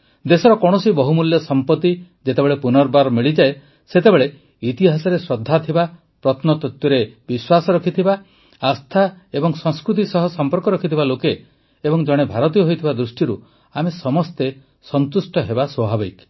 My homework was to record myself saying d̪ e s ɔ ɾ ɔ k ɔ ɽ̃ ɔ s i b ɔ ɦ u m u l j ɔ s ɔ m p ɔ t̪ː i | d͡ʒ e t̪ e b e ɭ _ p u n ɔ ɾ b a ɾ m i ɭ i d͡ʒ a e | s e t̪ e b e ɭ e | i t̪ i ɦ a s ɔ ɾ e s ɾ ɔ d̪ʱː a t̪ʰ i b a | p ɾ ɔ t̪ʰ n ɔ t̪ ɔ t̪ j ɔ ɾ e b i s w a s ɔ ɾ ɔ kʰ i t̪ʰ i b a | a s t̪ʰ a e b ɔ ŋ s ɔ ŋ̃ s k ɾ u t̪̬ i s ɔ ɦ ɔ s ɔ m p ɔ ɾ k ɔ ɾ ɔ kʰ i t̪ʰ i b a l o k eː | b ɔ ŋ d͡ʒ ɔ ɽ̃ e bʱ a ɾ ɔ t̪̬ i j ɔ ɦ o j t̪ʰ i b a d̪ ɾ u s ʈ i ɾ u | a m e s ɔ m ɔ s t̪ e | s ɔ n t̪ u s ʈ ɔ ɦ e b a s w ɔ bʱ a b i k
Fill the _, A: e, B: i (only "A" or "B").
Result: A